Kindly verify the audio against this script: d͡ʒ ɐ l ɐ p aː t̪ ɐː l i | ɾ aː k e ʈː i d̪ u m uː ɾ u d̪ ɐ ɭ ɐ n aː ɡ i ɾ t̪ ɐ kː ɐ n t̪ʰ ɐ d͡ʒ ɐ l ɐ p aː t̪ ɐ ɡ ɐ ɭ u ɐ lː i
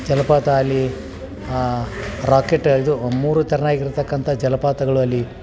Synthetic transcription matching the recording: d͡ʒ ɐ l ɐ p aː t̪ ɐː lː i | ɾ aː k e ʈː i d̪ u m uː ɾ u t̪ ɐ ɾ ɐ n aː ɡ i ɾ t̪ ɐ kː ɐ n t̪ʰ ɐ d͡ʒ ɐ l ɐ p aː t̪ ɐ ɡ ɐ ɭ u ɐ lː i